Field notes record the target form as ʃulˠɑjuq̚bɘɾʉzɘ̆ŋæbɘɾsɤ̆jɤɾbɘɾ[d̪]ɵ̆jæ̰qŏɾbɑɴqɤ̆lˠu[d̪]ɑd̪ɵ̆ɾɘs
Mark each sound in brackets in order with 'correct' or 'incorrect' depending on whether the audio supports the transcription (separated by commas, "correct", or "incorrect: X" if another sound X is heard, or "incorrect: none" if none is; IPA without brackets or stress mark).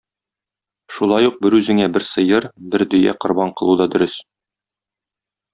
correct, correct